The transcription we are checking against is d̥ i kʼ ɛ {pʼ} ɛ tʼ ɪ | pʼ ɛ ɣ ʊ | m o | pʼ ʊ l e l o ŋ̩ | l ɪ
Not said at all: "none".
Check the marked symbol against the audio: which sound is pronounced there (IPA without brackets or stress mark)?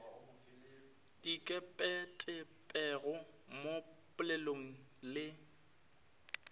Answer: pʼ